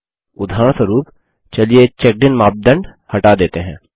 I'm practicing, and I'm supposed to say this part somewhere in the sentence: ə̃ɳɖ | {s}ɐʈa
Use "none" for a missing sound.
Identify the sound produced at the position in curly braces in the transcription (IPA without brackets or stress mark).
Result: h